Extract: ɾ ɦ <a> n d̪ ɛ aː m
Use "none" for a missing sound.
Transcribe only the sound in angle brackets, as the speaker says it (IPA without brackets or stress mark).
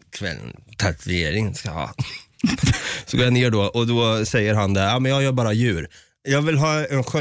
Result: a